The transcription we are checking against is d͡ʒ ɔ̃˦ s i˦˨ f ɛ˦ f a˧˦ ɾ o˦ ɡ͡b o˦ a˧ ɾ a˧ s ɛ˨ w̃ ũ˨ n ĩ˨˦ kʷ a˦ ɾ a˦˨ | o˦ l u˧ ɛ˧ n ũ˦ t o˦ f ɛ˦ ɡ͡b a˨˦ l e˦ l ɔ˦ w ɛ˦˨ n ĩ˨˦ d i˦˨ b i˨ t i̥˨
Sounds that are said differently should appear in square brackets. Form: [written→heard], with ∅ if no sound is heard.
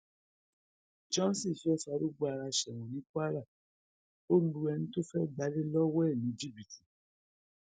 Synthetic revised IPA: d͡ʒ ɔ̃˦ s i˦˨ f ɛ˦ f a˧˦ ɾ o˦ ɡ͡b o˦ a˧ ɾ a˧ [s→ʃ] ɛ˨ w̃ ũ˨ n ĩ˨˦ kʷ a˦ ɾ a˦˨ | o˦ l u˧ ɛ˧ n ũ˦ t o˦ f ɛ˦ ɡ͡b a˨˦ l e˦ l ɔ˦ w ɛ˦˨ n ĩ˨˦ [d→d͡ʒ] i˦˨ b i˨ t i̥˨